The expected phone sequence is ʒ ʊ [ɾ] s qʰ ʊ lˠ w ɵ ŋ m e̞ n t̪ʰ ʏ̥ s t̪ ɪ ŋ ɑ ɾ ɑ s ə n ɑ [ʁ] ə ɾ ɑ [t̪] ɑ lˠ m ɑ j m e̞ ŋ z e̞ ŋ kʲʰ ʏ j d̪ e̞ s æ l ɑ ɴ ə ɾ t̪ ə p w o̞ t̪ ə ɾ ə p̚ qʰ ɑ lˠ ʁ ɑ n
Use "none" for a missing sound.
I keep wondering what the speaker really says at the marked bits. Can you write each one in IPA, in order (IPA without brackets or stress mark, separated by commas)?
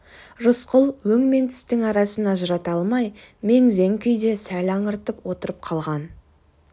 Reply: none, ʒ, t̪